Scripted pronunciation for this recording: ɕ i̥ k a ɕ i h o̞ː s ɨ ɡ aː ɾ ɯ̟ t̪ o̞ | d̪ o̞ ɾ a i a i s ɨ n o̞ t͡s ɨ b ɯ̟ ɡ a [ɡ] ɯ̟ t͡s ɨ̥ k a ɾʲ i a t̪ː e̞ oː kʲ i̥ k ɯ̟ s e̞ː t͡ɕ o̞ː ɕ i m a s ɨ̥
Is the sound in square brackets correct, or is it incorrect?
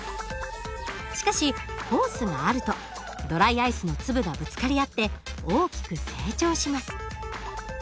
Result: incorrect